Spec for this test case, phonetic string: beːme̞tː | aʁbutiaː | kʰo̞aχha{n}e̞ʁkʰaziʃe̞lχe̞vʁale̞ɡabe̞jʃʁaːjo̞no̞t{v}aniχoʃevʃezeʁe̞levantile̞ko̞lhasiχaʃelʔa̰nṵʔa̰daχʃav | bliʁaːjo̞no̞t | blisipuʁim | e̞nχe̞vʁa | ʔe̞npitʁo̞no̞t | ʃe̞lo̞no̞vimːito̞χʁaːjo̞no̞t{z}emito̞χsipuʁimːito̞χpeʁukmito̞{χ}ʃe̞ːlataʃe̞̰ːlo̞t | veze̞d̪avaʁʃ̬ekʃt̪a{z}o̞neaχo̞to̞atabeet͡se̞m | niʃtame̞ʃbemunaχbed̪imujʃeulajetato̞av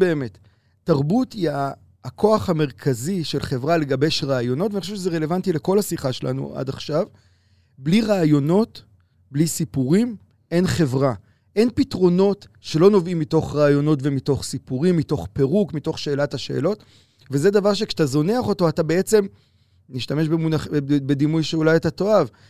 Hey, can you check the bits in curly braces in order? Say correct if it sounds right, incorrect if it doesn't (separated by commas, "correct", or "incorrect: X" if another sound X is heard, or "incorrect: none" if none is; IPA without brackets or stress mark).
incorrect: m, correct, incorrect: v, correct, correct